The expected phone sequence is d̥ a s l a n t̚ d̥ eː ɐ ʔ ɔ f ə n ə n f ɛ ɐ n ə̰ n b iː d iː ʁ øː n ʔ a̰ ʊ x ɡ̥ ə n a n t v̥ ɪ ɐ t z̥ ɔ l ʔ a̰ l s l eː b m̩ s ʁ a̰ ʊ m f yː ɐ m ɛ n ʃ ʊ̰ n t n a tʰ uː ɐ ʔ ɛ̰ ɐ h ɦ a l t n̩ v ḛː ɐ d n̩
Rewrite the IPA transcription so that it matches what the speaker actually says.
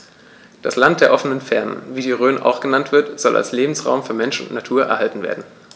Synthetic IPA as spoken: d̥ a s l a n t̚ d̥ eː ɐ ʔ ɔ f ə n ə n f ɛ ɐ n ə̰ n v iː d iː ʁ øː n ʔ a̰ ʊ x ɡ̥ ə n a n t v̥ ɪ ɐ t z̥ ɔ l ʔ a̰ l s l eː b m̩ s ʁ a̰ ʊ m f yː ɐ m ɛ n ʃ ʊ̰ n t n a tʰ uː ɐ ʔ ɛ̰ ɐ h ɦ a l t n̩ v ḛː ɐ d n̩